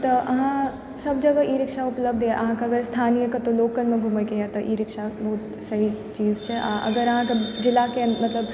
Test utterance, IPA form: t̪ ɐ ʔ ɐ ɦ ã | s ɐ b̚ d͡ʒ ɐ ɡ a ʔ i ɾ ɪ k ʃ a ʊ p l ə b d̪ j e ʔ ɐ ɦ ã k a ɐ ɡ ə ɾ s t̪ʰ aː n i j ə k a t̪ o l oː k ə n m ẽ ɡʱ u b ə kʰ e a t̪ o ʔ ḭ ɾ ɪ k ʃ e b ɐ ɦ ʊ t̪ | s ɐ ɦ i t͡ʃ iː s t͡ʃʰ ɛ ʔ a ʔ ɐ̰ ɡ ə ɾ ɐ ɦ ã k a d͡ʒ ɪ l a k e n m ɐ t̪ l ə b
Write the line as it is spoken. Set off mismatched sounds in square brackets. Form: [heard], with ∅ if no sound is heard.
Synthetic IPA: t̪ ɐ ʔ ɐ ɦ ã | s ɐ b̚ d͡ʒ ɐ ɡ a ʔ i ɾ ɪ k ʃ a ʊ p l ə b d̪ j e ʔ ɐ ɦ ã k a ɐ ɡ ə ɾ s t̪ʰ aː n i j ə k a t̪ o l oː k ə n m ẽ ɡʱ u [m] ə [k] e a t̪ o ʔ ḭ ɾ ɪ k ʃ [a] b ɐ ɦ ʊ t̪ | s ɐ ɦ i t͡ʃ iː [z] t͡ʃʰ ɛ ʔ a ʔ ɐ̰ ɡ ə ɾ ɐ ɦ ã k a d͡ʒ ɪ l a k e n m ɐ t̪ l ə b